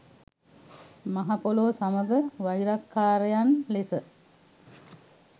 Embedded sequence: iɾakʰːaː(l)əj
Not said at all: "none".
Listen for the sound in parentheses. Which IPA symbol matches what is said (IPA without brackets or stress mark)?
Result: ɾ